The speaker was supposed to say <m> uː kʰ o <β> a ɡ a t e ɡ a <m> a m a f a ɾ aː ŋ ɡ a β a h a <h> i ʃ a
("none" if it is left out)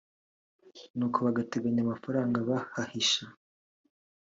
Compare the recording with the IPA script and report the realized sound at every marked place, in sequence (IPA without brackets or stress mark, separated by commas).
n, β, ɲ, h